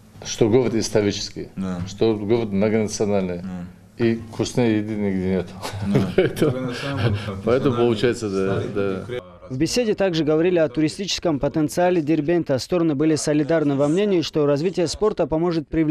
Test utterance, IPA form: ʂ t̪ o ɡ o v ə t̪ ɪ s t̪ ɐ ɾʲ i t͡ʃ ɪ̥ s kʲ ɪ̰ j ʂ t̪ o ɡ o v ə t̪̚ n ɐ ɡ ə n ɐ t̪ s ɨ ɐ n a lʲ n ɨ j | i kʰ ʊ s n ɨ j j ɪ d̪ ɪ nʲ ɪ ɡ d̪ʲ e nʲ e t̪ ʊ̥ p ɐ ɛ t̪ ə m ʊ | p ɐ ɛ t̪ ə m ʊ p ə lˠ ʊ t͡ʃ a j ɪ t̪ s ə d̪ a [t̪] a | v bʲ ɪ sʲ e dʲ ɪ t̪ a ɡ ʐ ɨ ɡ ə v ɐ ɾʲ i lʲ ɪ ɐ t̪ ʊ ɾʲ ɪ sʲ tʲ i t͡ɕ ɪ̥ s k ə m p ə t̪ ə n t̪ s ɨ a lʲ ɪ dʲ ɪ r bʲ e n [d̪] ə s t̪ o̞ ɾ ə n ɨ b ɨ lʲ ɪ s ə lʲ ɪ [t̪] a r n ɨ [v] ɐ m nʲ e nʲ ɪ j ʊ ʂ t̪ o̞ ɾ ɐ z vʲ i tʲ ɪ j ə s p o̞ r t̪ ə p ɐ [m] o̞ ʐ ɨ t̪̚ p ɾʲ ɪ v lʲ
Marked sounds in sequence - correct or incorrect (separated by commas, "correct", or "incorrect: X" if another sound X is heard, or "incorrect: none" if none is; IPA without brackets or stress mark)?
incorrect: d̪, incorrect: t̪, incorrect: d̪, correct, correct